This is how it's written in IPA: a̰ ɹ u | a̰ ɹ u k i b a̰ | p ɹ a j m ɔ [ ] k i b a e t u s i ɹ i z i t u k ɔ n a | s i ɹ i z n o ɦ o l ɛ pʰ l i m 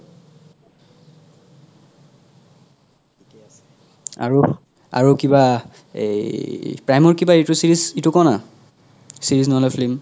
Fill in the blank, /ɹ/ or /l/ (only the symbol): ɹ